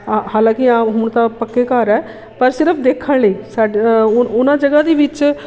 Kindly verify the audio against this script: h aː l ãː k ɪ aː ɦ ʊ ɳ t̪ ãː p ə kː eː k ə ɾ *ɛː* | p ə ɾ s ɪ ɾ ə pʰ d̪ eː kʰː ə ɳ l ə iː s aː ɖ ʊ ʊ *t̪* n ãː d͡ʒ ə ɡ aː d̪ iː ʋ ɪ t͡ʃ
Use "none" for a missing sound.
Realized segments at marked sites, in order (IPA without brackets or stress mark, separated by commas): ɛː, none